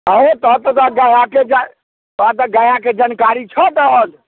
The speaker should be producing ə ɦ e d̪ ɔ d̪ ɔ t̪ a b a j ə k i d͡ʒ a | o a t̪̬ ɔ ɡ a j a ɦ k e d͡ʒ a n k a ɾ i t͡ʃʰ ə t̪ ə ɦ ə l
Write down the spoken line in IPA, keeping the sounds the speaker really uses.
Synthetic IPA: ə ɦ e t̪ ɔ t̪ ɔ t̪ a ɡ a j a k e d͡ʒ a | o a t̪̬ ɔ ɡ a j a k e d͡ʒ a n k a ɾ i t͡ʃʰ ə t̪ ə ɦ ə l